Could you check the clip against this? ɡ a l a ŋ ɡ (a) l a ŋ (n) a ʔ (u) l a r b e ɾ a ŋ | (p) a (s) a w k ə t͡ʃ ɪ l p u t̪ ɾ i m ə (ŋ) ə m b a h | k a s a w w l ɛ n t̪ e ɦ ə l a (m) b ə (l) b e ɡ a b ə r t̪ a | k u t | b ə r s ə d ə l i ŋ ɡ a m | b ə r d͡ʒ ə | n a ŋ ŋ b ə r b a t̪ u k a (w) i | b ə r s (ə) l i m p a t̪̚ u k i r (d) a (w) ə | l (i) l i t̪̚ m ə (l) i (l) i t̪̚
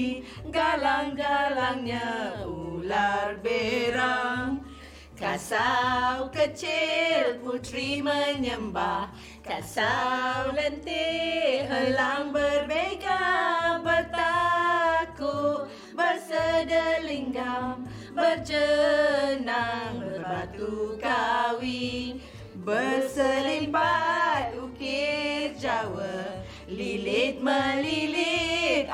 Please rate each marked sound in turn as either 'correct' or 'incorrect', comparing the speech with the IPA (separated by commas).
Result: correct, incorrect, correct, incorrect, correct, incorrect, incorrect, incorrect, correct, correct, incorrect, correct, correct, correct, correct